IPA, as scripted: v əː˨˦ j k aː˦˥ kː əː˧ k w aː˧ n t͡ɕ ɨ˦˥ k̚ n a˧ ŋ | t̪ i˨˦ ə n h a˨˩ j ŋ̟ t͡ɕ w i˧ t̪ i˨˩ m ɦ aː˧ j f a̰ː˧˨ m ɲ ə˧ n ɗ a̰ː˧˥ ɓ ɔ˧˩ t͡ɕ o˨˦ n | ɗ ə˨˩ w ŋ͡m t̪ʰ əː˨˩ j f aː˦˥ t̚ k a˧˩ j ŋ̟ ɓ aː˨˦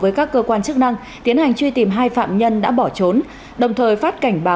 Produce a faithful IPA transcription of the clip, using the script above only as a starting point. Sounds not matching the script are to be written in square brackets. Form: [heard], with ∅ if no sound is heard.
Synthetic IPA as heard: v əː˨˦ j k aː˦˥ kː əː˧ k w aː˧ n t͡ɕ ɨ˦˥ k̚ n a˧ ŋ | t̪ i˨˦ ə n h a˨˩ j ŋ̟ t͡ɕ w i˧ t̪ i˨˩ m ɦ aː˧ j f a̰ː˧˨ m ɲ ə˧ n ɗ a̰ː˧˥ ɓ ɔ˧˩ t͡ɕ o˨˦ n | ɗ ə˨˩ w ŋ͡m t̪ʰ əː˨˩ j f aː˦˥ t̚ k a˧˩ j ŋ̟ ɓ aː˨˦